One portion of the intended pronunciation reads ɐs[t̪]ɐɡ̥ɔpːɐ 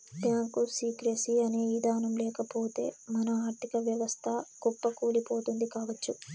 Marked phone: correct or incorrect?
incorrect